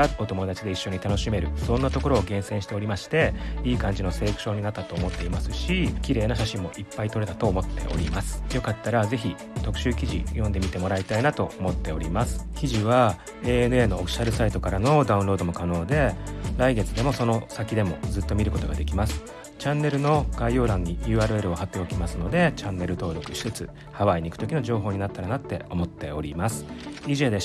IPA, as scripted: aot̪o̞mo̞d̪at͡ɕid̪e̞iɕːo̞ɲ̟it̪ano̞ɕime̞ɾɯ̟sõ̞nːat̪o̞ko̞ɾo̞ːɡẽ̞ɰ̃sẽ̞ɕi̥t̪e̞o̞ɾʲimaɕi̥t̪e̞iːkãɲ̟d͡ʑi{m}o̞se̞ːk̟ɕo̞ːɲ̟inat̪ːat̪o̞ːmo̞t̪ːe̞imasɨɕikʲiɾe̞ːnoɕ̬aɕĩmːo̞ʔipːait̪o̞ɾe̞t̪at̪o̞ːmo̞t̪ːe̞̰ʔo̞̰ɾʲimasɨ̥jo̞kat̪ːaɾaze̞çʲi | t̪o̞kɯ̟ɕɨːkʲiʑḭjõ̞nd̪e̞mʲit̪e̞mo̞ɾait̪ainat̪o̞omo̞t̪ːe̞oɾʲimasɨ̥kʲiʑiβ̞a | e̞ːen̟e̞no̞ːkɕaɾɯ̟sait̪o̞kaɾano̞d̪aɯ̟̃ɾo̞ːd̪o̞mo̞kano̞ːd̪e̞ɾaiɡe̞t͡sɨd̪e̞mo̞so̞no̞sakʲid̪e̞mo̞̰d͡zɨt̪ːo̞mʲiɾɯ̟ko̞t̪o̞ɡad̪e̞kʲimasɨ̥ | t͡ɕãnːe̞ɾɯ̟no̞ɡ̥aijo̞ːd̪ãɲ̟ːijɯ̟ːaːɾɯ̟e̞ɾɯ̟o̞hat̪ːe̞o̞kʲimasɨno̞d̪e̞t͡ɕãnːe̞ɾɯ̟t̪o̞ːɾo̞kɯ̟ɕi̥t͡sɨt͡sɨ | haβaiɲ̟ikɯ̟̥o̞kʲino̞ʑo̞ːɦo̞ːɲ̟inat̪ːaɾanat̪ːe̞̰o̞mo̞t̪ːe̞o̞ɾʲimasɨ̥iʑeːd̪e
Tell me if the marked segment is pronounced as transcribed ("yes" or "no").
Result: no